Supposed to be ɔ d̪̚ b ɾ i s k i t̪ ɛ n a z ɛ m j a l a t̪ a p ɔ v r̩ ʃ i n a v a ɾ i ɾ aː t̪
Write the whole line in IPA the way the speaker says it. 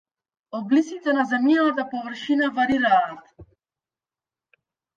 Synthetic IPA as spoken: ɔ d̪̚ b l i s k i t̪ ɛ n a z ɛ m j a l a t̪ a p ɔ v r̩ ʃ i n a v a ɾ i ɾ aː t̪